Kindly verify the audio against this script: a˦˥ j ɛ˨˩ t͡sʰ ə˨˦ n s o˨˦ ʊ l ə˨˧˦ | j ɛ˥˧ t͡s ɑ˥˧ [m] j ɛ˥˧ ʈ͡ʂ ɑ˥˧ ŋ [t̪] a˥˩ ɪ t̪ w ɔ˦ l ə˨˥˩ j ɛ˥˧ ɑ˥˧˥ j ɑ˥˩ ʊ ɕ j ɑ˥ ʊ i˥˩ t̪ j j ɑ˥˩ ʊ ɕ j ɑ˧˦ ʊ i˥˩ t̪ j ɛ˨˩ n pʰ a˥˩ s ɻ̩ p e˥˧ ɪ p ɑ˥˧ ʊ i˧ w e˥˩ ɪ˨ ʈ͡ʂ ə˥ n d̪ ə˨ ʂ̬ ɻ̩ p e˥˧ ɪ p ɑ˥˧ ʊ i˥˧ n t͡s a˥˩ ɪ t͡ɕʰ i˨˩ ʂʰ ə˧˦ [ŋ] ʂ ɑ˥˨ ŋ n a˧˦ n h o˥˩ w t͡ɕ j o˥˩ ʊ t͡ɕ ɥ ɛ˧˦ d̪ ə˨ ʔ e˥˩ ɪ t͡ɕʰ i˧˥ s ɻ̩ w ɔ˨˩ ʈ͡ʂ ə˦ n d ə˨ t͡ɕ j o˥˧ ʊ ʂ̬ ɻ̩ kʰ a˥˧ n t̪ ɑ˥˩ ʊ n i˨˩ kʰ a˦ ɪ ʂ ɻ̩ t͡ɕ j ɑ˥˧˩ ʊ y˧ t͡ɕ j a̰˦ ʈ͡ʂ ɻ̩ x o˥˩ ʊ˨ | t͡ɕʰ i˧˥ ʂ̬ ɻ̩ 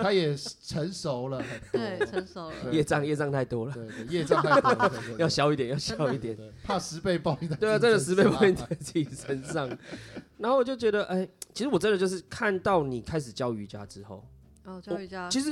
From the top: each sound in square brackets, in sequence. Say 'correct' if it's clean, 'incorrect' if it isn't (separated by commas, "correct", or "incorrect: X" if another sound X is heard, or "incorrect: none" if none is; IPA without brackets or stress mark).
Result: incorrect: ŋ, incorrect: t̪ʰ, incorrect: n